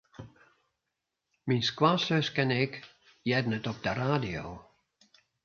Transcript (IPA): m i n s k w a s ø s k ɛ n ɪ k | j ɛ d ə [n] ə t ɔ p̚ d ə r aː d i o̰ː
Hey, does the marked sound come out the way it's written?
yes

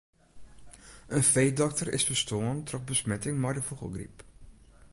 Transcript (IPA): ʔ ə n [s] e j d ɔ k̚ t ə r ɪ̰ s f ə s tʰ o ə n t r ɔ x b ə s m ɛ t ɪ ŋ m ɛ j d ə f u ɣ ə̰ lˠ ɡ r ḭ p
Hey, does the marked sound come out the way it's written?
no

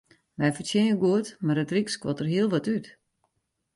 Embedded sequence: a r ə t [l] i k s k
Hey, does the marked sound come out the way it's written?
no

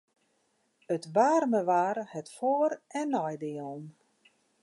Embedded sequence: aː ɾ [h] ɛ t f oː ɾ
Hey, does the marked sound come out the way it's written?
yes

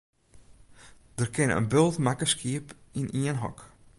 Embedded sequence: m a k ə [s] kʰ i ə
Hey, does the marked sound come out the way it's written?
yes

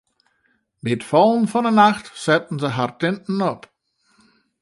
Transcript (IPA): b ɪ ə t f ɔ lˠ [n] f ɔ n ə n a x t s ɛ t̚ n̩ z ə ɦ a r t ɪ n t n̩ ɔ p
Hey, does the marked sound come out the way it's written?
yes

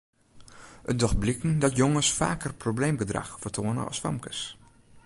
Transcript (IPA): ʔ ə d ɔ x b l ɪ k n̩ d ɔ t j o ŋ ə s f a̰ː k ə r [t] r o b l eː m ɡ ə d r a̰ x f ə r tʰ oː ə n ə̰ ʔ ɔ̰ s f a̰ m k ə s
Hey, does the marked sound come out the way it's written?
no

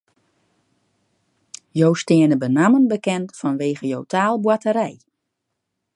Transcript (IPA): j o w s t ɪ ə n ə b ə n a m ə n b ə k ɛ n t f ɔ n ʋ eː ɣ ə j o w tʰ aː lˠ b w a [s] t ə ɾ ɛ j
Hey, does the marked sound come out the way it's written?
no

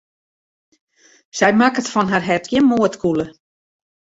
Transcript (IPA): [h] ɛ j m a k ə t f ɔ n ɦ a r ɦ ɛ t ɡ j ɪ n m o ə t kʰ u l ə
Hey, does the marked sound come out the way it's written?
no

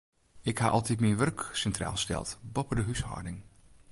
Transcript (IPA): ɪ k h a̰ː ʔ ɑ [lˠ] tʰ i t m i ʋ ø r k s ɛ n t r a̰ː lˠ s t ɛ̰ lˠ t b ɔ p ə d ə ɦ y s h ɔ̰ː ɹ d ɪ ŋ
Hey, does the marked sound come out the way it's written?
yes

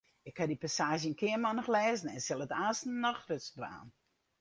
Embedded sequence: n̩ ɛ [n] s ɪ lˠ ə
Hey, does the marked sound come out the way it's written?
yes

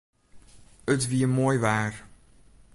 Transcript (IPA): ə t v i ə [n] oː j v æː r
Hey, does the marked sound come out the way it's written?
no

